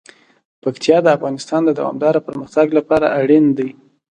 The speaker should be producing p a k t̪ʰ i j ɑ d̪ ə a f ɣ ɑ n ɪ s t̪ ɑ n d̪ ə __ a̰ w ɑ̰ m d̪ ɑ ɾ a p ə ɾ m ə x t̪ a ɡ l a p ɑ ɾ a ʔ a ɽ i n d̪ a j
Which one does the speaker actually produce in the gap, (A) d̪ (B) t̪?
A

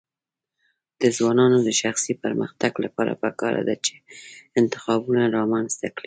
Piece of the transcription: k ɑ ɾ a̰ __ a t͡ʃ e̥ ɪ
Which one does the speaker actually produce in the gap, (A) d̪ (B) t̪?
A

